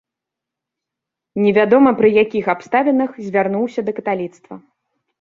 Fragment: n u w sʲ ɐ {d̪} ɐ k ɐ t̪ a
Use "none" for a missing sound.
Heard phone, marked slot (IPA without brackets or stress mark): d̪